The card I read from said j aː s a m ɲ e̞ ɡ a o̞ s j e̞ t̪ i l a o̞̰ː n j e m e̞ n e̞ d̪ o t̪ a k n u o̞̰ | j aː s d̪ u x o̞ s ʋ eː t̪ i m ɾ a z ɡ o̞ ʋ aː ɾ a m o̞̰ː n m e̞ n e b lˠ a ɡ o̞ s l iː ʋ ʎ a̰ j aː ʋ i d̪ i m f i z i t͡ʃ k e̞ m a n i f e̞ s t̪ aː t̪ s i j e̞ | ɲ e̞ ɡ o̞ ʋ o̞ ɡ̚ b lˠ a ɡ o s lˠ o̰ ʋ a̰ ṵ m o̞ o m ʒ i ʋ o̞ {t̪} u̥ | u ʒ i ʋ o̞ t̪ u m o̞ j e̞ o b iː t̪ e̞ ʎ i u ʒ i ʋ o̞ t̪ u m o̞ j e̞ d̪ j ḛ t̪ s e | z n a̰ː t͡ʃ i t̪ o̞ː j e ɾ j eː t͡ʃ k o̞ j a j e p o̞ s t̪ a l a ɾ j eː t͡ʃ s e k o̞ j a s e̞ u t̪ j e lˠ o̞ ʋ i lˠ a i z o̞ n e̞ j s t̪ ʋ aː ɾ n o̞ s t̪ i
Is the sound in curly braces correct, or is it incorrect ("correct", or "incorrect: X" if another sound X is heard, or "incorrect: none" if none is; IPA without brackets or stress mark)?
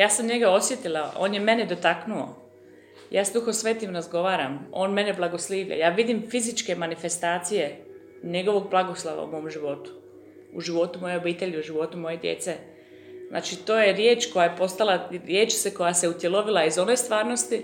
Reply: correct